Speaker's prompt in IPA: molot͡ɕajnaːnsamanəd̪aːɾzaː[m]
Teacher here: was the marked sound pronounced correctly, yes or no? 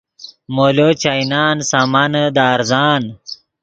no